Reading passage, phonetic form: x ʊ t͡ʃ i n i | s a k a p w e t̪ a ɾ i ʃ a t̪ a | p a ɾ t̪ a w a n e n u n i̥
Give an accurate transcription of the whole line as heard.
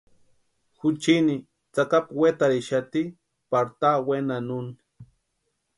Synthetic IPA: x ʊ t͡ʃ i n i | t͡s a k a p w e t̪ a ɾ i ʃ a t̪ i | p a ɾ t̪ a w e n a n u n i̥